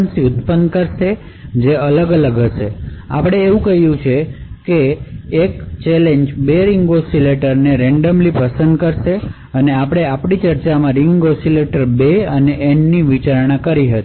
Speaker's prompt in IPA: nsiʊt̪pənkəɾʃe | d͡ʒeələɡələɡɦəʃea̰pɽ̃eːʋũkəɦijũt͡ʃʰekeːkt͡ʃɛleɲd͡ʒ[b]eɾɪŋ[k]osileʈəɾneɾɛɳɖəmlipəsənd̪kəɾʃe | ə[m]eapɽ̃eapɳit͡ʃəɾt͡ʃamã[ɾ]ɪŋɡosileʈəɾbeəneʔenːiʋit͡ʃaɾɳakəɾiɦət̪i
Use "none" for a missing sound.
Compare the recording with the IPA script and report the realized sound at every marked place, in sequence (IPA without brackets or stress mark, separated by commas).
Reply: b, ɡ, n, ɾ